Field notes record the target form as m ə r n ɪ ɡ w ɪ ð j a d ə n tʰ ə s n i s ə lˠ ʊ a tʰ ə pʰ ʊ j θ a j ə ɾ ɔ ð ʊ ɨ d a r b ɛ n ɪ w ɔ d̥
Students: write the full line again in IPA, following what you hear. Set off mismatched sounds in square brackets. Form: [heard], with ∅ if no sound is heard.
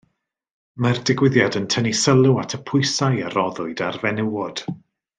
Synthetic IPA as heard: m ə r [d] ɪ ɡ w ɪ ð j a d ə n tʰ ə [∅] n i s ə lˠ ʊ a tʰ ə pʰ ʊ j [s] a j ə ɾ ɔ ð ʊ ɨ d a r [v] ɛ n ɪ w ɔ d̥